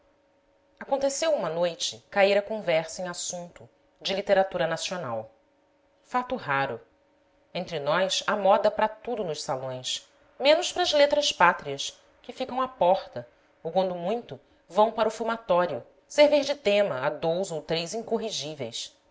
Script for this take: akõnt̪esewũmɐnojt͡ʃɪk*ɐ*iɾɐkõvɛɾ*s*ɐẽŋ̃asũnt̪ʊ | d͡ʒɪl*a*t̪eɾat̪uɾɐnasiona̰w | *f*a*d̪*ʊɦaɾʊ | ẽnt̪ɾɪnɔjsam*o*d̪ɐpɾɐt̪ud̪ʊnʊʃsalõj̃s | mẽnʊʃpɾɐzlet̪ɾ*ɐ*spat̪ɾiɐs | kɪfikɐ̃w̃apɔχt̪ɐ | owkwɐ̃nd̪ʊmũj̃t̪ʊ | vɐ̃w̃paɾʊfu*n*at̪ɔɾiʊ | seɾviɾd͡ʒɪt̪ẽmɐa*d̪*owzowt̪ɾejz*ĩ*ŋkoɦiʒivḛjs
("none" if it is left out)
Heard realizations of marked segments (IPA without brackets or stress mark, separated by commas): a, s, i, f, t̪, ɔ, ɐ, m, d̪, ĩ